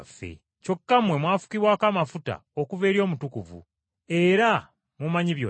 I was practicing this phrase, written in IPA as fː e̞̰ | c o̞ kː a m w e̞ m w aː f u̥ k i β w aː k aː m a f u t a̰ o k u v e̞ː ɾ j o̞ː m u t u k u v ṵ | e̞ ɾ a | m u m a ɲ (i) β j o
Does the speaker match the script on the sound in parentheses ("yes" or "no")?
yes